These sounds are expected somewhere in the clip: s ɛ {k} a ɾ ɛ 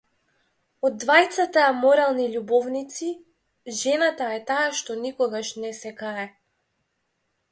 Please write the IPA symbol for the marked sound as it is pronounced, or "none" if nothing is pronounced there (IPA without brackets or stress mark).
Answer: k